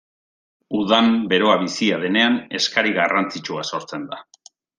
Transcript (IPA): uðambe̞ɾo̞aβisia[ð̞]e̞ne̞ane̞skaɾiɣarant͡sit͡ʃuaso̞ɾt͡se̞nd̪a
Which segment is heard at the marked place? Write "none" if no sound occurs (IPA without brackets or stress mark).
ð̞